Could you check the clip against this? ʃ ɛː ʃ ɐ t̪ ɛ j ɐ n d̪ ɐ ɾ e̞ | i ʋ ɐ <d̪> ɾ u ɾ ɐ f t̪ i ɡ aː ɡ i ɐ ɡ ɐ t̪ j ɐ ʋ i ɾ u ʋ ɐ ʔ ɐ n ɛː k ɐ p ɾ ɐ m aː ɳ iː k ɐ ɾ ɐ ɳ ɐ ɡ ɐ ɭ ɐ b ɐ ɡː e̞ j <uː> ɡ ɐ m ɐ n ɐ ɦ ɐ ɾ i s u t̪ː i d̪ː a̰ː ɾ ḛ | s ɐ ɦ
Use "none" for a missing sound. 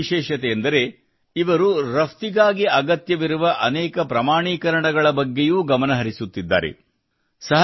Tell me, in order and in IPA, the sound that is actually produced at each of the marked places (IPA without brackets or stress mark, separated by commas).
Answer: none, uː